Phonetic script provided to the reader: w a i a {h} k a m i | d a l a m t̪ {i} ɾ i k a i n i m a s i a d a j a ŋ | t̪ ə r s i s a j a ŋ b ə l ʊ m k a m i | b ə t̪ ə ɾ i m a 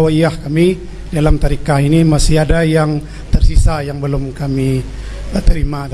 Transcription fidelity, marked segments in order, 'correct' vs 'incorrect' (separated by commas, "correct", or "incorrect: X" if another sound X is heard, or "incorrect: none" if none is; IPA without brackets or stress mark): correct, incorrect: a